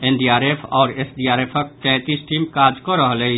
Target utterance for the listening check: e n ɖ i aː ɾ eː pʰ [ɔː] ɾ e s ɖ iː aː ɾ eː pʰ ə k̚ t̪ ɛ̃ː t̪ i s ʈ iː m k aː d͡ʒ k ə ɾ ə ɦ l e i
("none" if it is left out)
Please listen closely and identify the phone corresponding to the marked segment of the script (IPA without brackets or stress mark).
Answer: ɔː